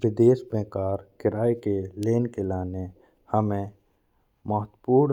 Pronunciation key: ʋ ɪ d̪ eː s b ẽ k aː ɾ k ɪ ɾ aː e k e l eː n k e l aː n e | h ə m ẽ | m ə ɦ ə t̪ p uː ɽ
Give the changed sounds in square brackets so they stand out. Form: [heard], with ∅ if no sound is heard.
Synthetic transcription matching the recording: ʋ ɪ d̪ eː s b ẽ k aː ɾ k ɪ ɾ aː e k e l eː n k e l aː n e | h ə m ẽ | m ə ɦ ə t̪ p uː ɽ